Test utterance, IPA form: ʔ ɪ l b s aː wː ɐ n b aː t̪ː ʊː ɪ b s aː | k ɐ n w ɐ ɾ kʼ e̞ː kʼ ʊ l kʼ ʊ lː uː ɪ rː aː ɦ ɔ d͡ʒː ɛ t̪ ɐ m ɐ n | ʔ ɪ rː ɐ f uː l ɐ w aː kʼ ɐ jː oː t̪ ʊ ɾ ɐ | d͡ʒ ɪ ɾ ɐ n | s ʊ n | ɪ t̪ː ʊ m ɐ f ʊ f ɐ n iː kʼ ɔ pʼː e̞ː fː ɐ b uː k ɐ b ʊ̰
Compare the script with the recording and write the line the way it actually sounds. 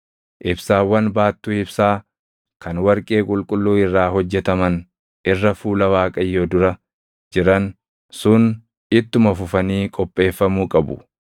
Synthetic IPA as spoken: ʔ ɪ b s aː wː ɐ n b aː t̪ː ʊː ɪ b s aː | k ɐ n w ɐ ɾ kʼ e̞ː kʼ ʊ l kʼ ʊ lː uː ɪ rː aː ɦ ɔ d͡ʒː ɛ t̪ ɐ m ɐ n | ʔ ɪ rː ɐ f uː l ɐ w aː kʼ ɐ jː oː d̪ ʊ ɾ ɐ | d͡ʒ ɪ ɾ ɐ n | s ʊ n | ɪ t̪ː ʊ m ɐ f ʊ f ɐ n iː kʼ ɔ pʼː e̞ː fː ɐ m uː kʼ ɐ b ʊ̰